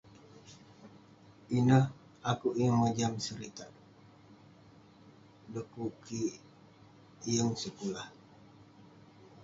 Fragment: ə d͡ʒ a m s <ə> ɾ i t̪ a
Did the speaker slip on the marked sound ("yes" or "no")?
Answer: no